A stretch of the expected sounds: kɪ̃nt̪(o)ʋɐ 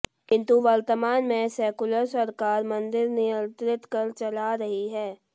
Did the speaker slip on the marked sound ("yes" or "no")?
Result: yes